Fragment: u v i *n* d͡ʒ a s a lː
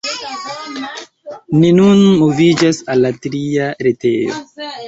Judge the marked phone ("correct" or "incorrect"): incorrect